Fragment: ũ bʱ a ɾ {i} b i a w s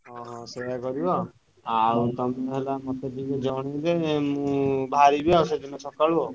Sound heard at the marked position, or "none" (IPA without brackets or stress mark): i